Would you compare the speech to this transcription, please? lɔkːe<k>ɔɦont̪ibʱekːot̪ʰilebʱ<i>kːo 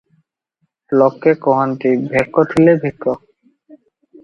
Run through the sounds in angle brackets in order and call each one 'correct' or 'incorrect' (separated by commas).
correct, correct